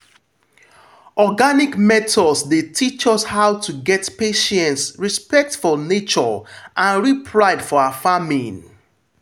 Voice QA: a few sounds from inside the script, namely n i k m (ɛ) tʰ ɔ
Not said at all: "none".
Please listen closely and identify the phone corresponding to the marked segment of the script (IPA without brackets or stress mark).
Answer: ɛ